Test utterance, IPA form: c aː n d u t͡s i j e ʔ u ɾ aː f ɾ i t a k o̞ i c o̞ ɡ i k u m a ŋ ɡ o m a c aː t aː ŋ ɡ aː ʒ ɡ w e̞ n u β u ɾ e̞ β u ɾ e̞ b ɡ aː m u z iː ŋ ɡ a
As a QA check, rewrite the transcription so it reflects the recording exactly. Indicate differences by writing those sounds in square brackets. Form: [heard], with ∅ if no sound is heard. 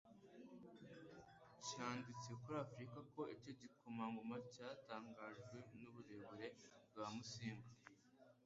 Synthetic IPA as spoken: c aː n d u t͡s i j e [k] u ɾ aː f ɾ i [k] a k o̞ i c o̞ [ɟ] i k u m a ŋ ɡ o m a c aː t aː ŋ ɡ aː ʒ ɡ w e̞ n u β u ɾ e̞ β u ɾ e̞ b ɡ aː m u [s] iː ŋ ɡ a